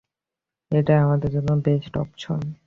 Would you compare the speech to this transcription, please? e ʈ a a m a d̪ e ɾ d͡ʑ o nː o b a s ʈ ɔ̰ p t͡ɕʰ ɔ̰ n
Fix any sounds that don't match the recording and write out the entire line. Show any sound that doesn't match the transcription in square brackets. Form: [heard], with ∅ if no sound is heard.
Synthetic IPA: e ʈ a a m a d̪ e ɾ d͡ʑ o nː o b [e] s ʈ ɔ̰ p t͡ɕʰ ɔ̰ n